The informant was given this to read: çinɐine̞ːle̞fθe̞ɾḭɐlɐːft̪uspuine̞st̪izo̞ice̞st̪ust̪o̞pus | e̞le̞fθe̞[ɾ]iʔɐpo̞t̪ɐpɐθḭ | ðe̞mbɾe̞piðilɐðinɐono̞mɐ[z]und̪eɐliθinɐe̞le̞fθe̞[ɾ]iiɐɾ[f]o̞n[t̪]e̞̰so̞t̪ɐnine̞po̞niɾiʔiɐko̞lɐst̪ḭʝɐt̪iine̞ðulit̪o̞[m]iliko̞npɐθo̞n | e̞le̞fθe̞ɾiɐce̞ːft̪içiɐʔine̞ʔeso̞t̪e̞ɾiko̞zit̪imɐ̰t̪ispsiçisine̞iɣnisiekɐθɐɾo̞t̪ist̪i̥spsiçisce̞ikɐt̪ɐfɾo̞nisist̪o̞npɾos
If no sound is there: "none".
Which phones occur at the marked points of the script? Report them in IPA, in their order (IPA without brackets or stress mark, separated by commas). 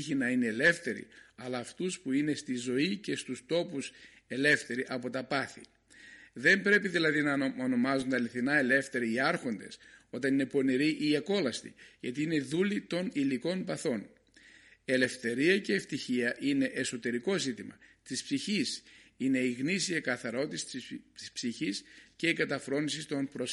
ɾ, z, ɾ, x, d̪, n